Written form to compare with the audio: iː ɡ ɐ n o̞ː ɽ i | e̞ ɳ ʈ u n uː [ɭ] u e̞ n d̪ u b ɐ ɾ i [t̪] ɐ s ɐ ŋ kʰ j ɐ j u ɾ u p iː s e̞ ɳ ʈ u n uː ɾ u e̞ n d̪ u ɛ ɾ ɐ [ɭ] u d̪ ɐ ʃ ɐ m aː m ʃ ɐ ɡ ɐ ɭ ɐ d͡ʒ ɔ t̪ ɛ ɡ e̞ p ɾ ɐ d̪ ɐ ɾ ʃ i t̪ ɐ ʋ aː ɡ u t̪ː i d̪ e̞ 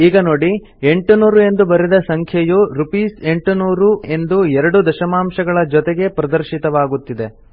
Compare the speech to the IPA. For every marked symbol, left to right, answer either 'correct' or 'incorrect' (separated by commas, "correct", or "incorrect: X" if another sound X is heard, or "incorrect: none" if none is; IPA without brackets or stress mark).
incorrect: ɾ, incorrect: d̪, incorrect: ɽ